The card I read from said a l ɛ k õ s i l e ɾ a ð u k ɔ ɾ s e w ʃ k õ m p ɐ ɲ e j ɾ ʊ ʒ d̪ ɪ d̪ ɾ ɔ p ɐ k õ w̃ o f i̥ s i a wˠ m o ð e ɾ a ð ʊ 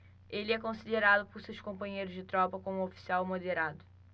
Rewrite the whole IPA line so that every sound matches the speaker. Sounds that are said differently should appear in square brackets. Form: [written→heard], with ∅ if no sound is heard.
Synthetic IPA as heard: [a→e] l ɛ k õ s i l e ɾ a ð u [k→p] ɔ ɾ s e w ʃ k õ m p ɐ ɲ e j ɾ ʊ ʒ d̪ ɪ [d̪→t̪] ɾ ɔ p ɐ k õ [w̃→ũ] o f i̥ s i a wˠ m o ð e ɾ a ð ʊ